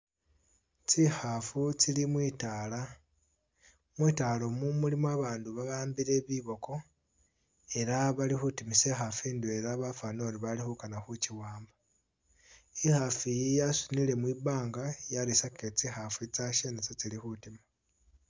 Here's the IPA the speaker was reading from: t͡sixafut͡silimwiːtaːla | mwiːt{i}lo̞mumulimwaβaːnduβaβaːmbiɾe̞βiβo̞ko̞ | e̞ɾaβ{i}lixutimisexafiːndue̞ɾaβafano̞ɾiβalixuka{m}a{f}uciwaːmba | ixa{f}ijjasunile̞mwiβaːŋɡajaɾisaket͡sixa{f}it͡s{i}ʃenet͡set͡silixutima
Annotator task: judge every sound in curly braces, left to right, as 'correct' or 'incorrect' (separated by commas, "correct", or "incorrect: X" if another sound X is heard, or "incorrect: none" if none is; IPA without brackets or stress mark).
incorrect: a, incorrect: a, incorrect: n, incorrect: x, correct, correct, incorrect: a